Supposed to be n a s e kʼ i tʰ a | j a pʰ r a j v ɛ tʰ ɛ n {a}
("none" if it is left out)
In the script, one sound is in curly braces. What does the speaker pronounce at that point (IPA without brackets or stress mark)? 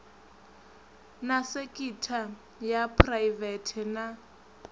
a